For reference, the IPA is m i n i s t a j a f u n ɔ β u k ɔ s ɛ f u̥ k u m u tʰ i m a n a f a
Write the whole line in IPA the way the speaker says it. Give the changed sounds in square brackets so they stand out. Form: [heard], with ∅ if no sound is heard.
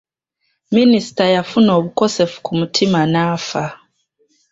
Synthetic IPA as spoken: m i n i s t a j a f u n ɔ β u k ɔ s ɛ f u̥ k u m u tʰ i m a n a f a